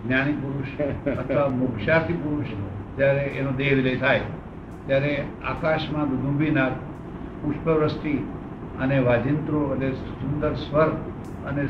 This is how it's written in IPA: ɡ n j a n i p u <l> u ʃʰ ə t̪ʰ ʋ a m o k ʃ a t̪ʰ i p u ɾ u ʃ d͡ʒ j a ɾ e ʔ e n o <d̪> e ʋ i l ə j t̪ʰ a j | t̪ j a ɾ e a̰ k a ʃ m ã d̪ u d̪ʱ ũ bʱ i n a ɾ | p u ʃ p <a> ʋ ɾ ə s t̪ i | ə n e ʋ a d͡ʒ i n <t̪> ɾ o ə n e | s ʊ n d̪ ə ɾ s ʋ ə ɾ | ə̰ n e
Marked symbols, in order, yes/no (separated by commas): no, yes, no, yes